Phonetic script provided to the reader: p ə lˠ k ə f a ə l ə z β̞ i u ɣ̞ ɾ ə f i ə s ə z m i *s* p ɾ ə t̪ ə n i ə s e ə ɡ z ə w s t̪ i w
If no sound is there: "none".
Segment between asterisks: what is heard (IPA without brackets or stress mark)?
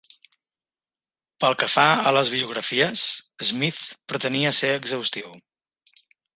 θ